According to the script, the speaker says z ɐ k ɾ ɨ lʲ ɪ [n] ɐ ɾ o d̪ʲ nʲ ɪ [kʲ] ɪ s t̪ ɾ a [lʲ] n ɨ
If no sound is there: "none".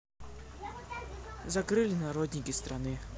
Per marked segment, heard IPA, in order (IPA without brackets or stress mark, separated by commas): n, kʲ, none